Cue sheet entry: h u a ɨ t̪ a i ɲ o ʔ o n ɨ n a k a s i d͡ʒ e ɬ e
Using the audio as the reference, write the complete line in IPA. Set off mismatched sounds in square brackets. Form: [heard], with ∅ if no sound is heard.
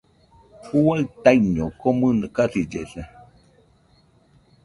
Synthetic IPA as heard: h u a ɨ t̪ a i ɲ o [k] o [m] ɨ n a k a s i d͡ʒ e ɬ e